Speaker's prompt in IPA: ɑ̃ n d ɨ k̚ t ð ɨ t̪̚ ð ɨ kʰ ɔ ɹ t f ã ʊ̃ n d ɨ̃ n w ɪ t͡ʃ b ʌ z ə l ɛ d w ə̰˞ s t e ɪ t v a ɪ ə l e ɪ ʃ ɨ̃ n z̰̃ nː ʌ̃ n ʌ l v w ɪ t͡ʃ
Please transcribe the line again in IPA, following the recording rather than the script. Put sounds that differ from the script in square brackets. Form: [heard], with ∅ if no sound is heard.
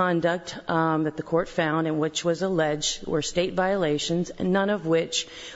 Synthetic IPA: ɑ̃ n d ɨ k̚ t ð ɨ t̪̚ ð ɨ kʰ ɔ ɹ t f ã ʊ̃ n d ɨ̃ n w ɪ t͡ʃ [w] ʌ z ə l ɛ [d͡ʒ] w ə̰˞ s t e ɪ t v a ɪ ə l e ɪ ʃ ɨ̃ n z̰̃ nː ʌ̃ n ʌ [∅] v w ɪ t͡ʃ